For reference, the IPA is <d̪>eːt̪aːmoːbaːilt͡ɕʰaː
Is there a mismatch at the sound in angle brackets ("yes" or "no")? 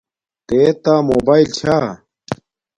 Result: yes